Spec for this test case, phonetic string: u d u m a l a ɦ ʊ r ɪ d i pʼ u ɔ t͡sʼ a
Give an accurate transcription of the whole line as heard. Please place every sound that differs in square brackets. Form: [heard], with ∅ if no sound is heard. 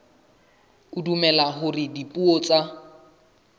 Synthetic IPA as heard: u d u m [ɛ] l a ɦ ʊ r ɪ d i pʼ u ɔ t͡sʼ a

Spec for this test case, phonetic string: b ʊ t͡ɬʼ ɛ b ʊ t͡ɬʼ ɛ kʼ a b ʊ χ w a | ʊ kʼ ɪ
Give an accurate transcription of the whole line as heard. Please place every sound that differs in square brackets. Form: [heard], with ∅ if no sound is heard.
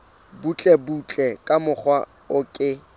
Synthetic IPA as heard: b [u] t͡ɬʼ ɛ b [u] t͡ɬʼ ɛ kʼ a [m] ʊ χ w a | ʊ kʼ ɪ

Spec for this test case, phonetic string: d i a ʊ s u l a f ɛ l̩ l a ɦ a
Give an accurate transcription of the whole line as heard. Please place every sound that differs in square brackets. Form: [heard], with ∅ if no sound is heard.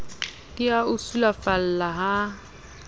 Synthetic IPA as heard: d i a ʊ s u l a f [a] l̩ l a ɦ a

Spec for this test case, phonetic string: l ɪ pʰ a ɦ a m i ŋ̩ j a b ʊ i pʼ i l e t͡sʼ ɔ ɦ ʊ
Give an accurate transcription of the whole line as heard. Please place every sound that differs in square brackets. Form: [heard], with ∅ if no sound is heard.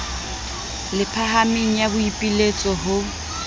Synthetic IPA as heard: l ɪ pʰ a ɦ a m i ŋ̩ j a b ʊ i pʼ i l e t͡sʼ ɔ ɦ ʊ

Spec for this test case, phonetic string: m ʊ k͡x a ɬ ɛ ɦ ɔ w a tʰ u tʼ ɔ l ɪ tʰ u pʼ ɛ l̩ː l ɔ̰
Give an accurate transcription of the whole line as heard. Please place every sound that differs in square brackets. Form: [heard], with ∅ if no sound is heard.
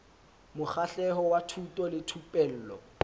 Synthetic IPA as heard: m ʊ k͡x a ɬ ɛ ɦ ɔ w a tʰ u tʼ ɔ l ɪ tʰ u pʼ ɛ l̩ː l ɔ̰

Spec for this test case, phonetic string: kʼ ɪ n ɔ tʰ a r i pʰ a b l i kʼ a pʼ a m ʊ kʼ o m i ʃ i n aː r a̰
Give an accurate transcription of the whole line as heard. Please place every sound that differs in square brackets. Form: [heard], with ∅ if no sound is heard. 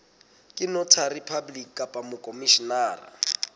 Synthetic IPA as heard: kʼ ɪ n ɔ tʰ a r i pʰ a b l i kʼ a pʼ a m ʊ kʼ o m i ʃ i n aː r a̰

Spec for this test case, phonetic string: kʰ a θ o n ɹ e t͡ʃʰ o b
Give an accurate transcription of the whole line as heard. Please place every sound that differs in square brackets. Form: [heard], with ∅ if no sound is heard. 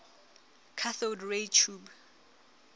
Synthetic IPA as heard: kʰ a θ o [d] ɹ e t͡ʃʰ [u] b

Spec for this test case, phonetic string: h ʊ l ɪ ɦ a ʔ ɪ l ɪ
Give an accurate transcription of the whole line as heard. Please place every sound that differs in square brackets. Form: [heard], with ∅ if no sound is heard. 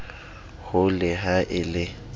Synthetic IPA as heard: h ʊ l ɪ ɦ a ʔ ɪ l ɪ

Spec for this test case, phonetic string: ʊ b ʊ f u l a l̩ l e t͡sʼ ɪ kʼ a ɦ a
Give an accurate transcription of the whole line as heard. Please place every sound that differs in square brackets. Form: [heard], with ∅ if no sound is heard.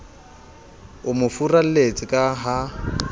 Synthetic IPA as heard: ʊ [m] ʊ f u [r] a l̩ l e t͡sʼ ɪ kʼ a ɦ a

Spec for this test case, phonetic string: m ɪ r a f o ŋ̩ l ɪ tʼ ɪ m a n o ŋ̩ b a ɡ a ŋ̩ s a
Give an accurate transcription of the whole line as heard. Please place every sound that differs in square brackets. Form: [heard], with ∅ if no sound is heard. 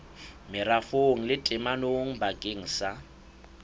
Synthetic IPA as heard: m ɪ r a f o ŋ̩ l ɪ tʼ ɪ m a n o ŋ̩ b a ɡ [e] ŋ̩ s a

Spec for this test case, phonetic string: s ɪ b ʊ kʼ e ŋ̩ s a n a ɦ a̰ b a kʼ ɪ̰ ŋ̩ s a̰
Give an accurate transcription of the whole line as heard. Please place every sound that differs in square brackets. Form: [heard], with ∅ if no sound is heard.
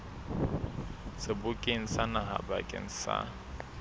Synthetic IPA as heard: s ɪ b ʊ kʼ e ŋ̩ s a n a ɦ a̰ b a kʼ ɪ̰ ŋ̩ s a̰

